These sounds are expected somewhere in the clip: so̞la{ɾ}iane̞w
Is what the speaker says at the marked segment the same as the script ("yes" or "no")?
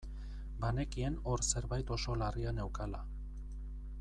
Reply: no